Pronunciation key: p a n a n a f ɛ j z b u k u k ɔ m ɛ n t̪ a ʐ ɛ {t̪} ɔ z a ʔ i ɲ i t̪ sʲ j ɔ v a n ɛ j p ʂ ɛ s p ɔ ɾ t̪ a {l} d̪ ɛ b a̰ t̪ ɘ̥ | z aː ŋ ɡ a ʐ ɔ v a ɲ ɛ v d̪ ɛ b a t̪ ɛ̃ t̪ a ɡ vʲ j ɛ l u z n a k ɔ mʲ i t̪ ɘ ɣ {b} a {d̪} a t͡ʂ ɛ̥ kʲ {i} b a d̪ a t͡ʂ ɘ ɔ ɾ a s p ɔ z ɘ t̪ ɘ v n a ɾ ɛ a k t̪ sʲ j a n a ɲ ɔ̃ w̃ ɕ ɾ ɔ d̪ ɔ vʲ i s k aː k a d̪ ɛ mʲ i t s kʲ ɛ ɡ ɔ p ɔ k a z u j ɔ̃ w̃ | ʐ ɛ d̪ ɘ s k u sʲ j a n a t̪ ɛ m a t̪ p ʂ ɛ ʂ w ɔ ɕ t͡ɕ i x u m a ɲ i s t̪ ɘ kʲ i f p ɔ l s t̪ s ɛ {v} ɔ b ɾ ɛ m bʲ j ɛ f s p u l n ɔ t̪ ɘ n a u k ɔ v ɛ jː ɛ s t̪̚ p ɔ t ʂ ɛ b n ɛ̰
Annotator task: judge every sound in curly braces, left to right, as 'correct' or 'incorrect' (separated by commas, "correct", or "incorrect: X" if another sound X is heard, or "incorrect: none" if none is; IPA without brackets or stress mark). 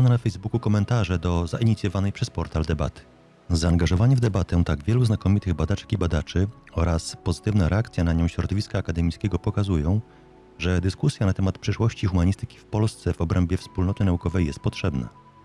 incorrect: d̪, correct, correct, correct, correct, correct